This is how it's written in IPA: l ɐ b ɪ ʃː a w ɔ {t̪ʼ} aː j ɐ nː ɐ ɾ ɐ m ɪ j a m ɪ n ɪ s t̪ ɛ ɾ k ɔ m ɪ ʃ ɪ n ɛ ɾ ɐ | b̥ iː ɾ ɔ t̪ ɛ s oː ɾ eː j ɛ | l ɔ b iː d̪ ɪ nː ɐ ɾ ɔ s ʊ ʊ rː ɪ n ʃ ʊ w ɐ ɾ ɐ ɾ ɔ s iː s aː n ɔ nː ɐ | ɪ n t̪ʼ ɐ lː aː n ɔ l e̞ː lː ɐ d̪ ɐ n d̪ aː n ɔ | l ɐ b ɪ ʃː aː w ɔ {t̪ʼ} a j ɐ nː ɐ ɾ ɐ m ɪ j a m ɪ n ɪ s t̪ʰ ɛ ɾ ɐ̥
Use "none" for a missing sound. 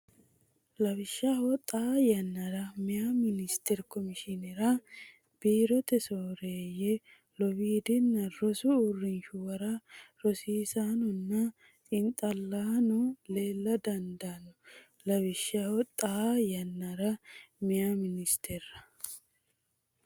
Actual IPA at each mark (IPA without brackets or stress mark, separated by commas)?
t̪ʼ, t̪ʼ